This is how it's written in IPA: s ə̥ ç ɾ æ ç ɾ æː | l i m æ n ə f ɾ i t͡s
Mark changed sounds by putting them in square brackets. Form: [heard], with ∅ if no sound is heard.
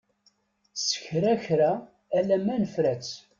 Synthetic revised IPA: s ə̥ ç ɾ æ ç ɾ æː | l [æ] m æ n ə f ɾ [æ] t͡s